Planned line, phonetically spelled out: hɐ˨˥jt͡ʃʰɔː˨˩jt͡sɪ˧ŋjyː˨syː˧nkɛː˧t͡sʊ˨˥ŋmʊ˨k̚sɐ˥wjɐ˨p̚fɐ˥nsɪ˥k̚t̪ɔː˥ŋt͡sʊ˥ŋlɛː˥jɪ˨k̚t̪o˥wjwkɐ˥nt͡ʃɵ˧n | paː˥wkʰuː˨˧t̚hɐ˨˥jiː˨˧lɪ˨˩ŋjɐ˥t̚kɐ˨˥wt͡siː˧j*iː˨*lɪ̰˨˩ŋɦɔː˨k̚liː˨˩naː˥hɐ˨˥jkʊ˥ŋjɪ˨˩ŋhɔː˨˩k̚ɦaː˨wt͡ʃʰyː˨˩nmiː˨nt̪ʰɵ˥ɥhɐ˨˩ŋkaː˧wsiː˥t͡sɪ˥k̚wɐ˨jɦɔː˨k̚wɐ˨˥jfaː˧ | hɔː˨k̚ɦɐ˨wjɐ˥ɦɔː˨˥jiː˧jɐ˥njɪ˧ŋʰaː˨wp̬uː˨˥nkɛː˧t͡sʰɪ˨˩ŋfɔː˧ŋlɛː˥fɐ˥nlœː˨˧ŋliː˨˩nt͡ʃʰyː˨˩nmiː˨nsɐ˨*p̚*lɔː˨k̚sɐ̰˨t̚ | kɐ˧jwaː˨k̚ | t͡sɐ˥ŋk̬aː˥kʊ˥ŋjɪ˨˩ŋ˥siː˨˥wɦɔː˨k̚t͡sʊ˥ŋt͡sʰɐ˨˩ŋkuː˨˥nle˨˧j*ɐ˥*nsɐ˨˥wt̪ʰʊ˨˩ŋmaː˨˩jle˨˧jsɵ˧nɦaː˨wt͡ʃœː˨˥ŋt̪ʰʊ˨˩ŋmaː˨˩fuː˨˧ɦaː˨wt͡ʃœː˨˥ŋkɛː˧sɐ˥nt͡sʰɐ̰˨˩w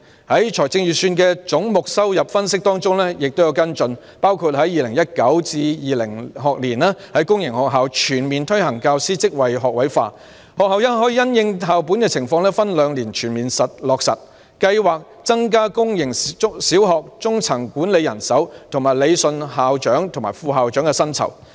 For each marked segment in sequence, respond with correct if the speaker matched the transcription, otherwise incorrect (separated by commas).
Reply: correct, incorrect, incorrect